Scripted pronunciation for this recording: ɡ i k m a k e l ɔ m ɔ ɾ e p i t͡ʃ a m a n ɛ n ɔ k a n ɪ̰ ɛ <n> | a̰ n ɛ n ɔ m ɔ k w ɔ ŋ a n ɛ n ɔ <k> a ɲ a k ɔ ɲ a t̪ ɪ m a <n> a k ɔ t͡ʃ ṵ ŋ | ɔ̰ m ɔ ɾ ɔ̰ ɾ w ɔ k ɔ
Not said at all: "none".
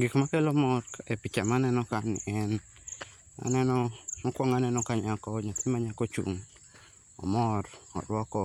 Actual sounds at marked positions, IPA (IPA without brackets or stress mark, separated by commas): n, k, ɲ